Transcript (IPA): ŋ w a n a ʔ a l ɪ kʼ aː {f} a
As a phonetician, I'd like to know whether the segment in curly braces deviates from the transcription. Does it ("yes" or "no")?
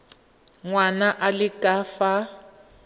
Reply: no